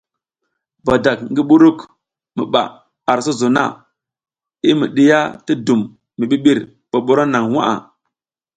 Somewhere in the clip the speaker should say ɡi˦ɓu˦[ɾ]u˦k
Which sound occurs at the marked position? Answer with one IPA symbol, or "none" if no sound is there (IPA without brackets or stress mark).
ɾ